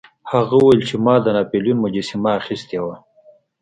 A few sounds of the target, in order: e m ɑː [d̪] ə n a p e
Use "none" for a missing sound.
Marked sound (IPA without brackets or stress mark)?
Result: d̪